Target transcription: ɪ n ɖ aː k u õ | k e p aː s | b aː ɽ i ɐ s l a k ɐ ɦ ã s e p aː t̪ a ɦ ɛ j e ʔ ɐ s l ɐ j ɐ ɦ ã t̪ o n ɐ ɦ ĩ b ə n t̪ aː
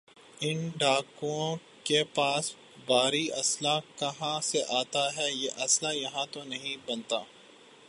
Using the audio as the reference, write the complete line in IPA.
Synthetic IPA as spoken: ɪ n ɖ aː k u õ | k e p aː s | b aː ɾ i ɐ s l a k ɐ ɦ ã s e ʔ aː t̪ a ɦ ɛ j e ʔ ɐ s l a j ɐ ɦ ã t̪ o n ɐ ɦ ĩ b ɐ n t̪ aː